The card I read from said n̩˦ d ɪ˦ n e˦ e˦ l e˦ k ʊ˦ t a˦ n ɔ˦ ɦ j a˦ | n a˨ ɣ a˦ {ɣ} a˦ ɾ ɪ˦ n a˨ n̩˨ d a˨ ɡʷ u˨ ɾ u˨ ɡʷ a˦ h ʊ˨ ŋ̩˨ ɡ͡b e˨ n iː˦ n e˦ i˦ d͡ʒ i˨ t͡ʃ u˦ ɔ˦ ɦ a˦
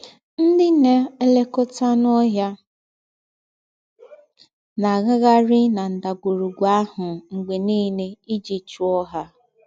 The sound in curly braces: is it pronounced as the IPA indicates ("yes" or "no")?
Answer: yes